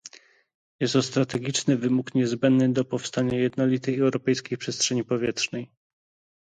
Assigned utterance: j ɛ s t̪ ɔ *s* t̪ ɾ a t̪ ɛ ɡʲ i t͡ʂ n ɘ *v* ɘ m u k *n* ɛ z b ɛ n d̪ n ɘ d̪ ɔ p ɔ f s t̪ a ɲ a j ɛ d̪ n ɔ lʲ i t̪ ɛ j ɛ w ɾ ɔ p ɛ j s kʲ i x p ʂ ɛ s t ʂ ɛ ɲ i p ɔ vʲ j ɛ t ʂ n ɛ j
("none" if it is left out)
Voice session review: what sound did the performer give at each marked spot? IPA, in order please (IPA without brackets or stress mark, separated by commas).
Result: s, v, ɲ